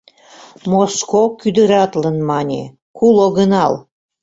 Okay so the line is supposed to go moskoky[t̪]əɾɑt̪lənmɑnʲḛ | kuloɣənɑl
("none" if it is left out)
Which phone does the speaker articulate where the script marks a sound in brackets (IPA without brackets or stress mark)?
d̪